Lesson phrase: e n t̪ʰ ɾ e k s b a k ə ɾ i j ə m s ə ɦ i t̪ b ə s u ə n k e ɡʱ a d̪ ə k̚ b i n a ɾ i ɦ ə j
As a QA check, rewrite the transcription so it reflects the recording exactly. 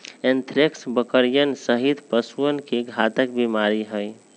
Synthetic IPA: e n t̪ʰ ɾ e k s b ə k ə ɾ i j ə n s ə ɦ i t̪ p ə s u ə n k e ɡʱ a t̪ ə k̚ b i m a ɾ i ɦ ə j